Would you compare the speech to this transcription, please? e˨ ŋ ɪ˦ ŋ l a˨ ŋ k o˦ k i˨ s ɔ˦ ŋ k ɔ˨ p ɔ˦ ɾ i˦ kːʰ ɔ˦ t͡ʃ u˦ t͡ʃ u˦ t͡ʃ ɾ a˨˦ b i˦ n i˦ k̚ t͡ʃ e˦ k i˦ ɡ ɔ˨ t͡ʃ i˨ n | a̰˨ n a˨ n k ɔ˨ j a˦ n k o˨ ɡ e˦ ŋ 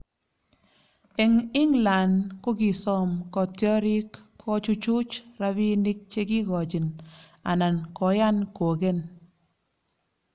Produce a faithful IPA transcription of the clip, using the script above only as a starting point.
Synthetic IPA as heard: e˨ ŋ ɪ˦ ŋ l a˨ n k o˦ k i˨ s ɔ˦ m k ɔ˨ t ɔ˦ ɾ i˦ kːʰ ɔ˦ t͡ʃ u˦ t͡ʃ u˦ t͡ʃ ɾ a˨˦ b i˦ n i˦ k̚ t͡ʃ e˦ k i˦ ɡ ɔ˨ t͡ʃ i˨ n | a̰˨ n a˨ n k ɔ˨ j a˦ n k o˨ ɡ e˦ n